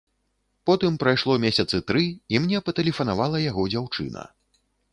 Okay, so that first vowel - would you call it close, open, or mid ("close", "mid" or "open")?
mid